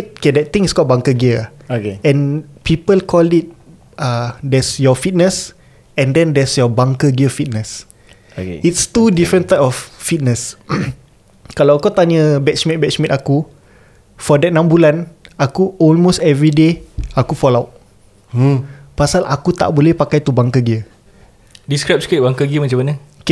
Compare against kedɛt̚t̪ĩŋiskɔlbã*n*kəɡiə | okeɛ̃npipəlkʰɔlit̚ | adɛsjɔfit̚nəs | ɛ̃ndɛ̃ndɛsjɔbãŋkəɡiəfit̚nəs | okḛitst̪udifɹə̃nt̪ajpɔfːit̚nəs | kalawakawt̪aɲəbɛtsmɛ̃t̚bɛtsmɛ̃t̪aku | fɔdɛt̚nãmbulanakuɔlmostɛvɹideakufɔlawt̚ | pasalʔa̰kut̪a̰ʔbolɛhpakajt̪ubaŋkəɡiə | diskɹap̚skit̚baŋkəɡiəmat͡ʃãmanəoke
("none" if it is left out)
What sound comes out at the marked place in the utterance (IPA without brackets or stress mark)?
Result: ŋ